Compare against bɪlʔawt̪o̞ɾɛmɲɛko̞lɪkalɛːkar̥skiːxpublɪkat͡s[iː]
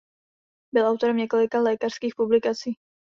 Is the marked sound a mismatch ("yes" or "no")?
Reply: no